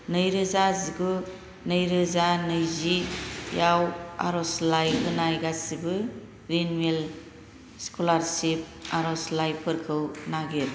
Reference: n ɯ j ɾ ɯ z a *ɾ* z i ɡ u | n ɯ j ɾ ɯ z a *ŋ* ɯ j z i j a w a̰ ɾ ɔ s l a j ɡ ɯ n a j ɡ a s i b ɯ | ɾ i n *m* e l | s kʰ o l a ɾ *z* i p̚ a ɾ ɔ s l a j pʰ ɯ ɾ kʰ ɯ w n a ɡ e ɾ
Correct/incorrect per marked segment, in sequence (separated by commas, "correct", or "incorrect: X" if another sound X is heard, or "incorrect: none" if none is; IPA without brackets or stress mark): incorrect: none, incorrect: n, correct, incorrect: s